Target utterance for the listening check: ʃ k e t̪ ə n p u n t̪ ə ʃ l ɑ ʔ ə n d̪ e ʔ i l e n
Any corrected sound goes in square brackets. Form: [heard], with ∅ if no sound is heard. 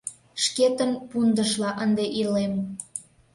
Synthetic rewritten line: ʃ k e t̪ ə n p u n [d̪] ə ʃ l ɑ ʔ ə n d̪ e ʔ i l e [m]